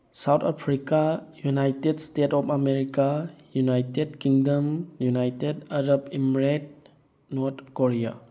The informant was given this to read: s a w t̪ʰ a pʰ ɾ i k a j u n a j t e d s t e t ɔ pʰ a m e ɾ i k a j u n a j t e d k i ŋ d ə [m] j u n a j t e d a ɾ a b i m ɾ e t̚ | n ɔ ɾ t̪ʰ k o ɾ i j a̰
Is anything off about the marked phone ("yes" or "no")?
no